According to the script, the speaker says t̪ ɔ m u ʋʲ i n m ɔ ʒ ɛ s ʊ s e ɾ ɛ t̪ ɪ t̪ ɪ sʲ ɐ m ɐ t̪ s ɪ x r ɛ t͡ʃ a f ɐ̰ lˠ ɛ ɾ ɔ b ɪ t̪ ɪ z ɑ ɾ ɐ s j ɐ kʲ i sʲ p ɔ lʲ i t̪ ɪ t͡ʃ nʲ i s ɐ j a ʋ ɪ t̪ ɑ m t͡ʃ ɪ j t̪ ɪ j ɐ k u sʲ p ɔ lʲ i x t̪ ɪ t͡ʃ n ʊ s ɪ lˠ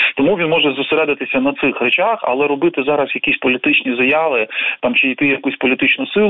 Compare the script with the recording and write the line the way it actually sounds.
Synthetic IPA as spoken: t̪ ɔ m u ʋʲ i n m ɔ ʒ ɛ z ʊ s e ɾ ɛ d̪ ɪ t̪ ɪ sʲ ɐ n ɐ t̪ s ɪ x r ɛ t͡ʃ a x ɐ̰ lˠ ɛ ɾ ɔ b ɪ t̪ ɪ z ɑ ɾ ɐ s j ɐ kʲ i sʲ p ɔ lʲ i t̪ ɪ t͡ʃ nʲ i z ɐ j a ʋ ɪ t̪ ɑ m t͡ʃ ɪ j t̪ ɪ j ɐ k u sʲ p ɔ lʲ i t̪ ɪ t͡ʃ n ʊ s ɪ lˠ